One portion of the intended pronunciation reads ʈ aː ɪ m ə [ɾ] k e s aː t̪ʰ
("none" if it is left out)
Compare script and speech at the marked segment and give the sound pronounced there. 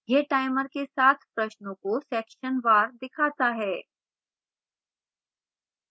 ɾ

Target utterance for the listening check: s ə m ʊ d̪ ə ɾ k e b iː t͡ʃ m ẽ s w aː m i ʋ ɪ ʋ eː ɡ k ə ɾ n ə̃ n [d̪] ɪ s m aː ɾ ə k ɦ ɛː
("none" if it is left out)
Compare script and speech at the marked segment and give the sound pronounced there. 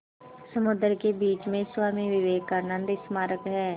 d̪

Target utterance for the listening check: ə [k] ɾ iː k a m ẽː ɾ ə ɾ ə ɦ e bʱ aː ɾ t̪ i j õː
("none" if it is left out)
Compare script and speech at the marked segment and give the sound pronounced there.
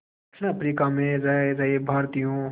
p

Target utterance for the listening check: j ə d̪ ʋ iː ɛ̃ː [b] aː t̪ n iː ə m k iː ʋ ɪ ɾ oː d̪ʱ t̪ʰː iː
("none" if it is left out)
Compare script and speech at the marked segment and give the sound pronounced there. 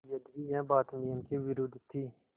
b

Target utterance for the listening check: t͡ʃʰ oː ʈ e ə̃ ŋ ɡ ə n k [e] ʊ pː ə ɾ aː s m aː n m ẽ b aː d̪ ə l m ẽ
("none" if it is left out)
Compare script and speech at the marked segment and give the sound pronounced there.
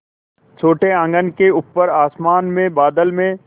e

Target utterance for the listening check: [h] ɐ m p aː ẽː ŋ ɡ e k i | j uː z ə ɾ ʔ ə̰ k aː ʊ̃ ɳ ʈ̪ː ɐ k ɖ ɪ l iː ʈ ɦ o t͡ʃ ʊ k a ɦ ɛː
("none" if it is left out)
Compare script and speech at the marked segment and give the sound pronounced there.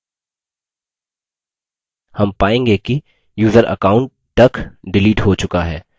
h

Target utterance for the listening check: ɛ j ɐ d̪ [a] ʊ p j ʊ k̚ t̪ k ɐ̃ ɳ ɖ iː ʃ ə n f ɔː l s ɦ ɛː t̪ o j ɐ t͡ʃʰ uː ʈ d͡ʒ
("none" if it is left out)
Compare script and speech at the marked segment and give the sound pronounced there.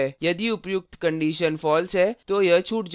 i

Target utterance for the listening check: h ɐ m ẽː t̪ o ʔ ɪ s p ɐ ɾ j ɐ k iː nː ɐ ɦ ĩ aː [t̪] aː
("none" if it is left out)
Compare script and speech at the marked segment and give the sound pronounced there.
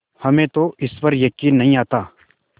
t̪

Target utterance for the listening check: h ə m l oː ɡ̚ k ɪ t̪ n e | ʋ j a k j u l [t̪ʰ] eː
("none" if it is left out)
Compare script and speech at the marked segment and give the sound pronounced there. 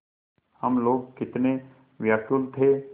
t̪ʰ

